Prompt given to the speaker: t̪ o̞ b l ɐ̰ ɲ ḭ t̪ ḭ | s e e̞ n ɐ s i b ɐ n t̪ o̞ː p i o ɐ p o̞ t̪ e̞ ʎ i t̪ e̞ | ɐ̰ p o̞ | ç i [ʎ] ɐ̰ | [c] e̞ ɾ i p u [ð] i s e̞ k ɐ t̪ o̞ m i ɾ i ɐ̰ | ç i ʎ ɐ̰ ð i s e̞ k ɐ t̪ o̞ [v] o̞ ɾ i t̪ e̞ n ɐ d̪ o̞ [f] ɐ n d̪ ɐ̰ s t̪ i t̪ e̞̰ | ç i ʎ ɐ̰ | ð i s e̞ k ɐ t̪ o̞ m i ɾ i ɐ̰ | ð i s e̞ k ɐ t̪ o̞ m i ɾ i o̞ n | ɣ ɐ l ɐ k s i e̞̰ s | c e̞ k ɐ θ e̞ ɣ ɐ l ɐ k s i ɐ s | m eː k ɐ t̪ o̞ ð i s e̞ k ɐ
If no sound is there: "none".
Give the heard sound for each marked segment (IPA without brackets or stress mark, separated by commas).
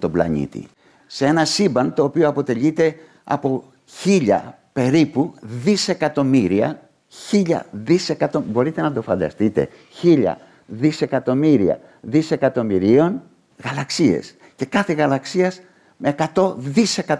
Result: ʎ, p, ð, b, f